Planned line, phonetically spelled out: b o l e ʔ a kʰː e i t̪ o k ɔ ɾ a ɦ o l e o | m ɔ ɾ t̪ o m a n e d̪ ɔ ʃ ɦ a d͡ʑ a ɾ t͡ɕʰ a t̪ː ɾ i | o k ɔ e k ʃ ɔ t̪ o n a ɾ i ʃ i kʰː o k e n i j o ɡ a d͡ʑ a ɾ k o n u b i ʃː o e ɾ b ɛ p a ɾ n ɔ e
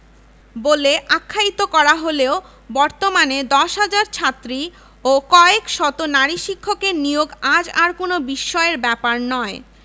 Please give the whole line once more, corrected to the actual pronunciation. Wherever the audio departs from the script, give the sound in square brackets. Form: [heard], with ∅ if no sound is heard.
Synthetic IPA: b o l e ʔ a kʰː [a] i t̪ o k ɔ ɾ a ɦ o l e o | [b] ɔ ɾ t̪ o m a n e d̪ ɔ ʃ ɦ a d͡ʑ a ɾ t͡ɕʰ a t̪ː ɾ i | o k ɔ e k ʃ ɔ t̪ o n a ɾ i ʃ i kʰː o k e n i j o ɡ a d͡ʑ a ɾ k o n [o] b i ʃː [ɔ] e ɾ b ɛ p a ɾ n ɔ e